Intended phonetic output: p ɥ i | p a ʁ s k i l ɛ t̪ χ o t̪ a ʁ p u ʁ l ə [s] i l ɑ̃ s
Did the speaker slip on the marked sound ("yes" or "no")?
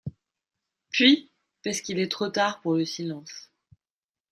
no